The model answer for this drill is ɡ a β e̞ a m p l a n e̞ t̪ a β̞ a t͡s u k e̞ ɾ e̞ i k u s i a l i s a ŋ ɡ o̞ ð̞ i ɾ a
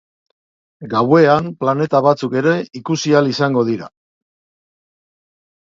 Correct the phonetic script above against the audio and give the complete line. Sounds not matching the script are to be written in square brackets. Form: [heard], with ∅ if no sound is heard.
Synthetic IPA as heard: ɡ a [w] e̞ a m p l a n e̞ t̪ a β̞ a t͡s u k e̞ ɾ e̞ i k u s i a l i s a ŋ ɡ o̞ ð̞ i ɾ a